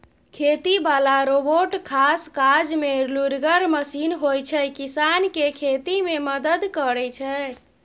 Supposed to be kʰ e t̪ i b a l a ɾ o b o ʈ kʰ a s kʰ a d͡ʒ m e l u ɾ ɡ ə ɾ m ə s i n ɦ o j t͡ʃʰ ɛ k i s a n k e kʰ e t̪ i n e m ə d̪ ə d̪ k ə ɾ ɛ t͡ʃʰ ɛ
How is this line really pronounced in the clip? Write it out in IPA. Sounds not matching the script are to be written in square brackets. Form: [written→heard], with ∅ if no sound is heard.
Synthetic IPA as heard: kʰ e t̪ i b a l a ɾ o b o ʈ kʰ a s [kʰ→k] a d͡ʒ m e l u ɾ ɡ ə ɾ m ə s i n ɦ o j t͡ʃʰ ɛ k i s a n k e kʰ e t̪ i [n→m] e m ə d̪ ə d̪ k ə ɾ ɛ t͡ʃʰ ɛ

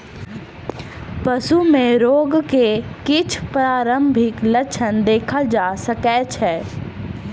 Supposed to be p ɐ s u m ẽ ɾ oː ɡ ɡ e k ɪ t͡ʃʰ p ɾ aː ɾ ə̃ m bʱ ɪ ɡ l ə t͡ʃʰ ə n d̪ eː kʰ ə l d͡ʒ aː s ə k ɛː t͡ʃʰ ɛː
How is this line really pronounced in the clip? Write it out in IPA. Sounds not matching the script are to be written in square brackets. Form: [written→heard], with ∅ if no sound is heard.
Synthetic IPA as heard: p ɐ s u m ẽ ɾ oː ɡ [ɡ→k] e k ɪ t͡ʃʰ p ɾ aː ɾ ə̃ m bʱ ɪ [ɡ→k] l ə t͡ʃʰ ə n d̪ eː kʰ ə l d͡ʒ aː s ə k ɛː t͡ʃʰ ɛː

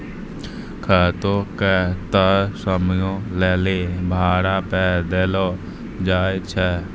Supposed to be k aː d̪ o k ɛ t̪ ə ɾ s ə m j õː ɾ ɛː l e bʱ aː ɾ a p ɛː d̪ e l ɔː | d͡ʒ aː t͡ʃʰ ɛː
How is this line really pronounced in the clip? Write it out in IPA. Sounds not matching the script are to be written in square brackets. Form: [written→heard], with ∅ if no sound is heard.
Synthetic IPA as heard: [k→kʰ] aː [d̪→t̪] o k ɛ t̪ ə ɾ s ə m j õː [ɾ→l] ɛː l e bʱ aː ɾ a p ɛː d̪ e l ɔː | d͡ʒ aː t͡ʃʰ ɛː

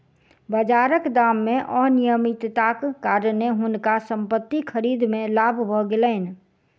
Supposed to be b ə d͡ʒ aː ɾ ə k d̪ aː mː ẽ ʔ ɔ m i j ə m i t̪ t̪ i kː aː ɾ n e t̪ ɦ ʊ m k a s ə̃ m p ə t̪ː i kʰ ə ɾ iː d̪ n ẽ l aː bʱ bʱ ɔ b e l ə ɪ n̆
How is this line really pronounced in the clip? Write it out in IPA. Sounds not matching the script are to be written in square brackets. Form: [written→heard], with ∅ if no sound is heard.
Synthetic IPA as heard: b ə d͡ʒ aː ɾ ə k d̪ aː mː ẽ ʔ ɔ [m→n] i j ə m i t̪ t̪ [i→a] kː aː ɾ n e [t̪→∅] ɦ ʊ [m→n] k a s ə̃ m p ə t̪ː i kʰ ə ɾ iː d̪ [n→m] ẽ l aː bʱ bʱ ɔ [b→ɡ] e l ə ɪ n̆

